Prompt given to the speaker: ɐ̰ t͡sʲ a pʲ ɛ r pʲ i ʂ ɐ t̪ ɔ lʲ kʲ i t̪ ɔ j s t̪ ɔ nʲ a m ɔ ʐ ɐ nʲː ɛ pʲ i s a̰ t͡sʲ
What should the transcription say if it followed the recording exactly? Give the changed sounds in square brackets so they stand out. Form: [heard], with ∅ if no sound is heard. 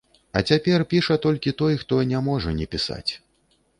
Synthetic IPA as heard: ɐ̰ t͡sʲ a pʲ ɛ r pʲ i ʂ ɐ t̪ ɔ lʲ kʲ i t̪ ɔ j [x] t̪ ɔ nʲ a m ɔ ʐ ɐ [nʲ] ɛ pʲ i s a̰ t͡sʲ